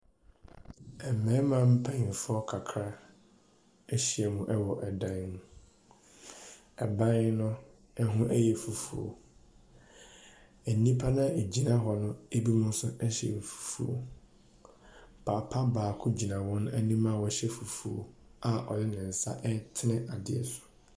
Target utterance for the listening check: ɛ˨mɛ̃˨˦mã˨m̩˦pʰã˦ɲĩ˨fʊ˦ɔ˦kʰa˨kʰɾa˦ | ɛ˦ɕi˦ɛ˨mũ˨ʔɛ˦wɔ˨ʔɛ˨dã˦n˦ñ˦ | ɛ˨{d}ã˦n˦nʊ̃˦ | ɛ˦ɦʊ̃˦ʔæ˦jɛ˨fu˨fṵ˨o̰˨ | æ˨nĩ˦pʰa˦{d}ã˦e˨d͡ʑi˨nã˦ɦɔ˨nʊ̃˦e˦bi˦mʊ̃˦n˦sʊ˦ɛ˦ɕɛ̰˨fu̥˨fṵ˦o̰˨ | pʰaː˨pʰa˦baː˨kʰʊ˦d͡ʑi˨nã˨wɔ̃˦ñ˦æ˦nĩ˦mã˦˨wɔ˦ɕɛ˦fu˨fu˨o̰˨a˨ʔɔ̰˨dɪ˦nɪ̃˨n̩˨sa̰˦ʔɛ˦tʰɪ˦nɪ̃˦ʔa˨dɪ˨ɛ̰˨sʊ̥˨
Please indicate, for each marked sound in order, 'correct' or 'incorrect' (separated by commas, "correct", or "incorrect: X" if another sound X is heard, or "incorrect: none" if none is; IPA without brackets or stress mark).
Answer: incorrect: b, incorrect: n